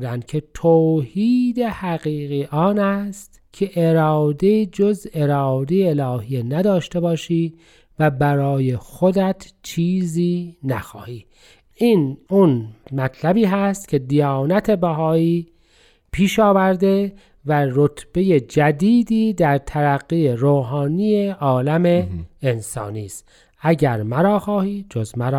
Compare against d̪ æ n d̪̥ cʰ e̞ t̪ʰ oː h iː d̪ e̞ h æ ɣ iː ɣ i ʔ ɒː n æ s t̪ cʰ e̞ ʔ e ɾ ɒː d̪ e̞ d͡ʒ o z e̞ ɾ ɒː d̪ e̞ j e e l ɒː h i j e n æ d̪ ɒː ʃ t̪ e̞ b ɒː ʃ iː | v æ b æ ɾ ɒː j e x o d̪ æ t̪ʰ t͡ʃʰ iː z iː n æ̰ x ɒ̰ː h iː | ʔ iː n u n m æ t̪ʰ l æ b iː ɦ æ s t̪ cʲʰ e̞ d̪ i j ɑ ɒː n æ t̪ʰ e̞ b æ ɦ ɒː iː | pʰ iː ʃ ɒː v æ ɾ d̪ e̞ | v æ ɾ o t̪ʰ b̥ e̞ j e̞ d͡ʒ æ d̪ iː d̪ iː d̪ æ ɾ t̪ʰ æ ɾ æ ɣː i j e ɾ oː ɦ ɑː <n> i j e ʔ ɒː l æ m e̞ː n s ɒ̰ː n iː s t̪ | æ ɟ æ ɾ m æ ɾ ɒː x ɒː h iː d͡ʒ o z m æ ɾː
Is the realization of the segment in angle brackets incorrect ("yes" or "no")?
no